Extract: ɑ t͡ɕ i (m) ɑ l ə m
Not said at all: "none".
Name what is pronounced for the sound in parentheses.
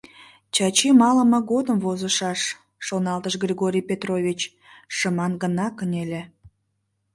m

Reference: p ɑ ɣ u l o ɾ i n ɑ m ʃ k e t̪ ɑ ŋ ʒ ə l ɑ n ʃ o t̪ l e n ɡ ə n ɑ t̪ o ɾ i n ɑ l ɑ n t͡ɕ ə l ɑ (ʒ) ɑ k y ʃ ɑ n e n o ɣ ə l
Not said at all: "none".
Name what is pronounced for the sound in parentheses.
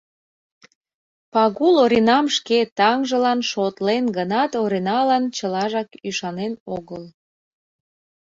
ʒ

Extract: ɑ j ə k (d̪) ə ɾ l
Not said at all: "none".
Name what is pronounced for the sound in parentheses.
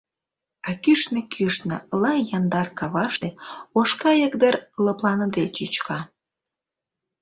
d̪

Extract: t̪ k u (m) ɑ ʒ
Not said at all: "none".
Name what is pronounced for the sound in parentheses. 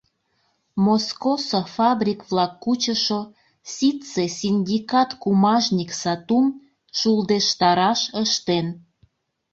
m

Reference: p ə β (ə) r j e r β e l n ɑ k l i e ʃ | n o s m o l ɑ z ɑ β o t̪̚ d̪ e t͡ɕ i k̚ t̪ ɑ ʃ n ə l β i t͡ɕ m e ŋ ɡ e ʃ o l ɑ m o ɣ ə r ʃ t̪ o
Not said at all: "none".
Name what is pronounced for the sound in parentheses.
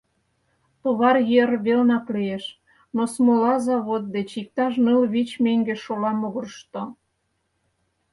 ɑ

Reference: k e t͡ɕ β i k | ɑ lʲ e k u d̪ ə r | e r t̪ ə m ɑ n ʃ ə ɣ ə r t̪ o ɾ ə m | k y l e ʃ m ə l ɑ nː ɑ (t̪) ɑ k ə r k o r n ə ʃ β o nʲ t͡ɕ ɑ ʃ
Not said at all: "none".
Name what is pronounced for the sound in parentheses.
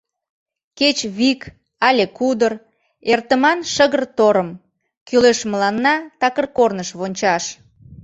t̪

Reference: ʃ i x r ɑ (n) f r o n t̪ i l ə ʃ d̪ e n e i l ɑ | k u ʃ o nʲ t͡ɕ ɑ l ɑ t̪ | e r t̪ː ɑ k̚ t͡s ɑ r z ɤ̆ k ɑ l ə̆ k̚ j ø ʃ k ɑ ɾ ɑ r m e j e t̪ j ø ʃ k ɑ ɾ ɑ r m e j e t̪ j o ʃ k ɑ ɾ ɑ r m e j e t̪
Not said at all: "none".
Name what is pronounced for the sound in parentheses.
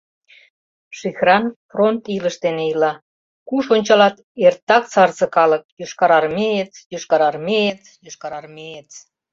n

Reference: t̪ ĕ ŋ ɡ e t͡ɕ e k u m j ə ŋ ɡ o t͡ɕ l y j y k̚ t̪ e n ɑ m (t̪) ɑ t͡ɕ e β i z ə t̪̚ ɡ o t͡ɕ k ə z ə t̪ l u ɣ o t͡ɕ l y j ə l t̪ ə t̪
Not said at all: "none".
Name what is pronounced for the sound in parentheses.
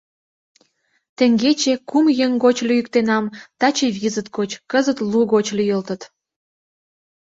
t̪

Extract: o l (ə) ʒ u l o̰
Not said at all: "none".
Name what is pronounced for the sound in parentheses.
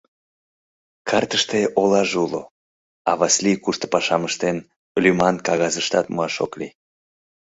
ɑ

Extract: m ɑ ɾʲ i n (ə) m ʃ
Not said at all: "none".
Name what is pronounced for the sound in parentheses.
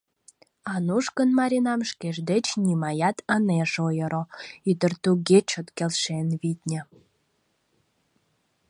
ɑ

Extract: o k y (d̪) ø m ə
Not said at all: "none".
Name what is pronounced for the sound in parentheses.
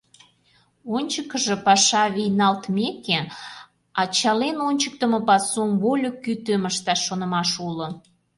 t̪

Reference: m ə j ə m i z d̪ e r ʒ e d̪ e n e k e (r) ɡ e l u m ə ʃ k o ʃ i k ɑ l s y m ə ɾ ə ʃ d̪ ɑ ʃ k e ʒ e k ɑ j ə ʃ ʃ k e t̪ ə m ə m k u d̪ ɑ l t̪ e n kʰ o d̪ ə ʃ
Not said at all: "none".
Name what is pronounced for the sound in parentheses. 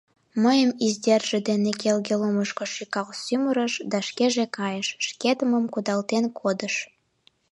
l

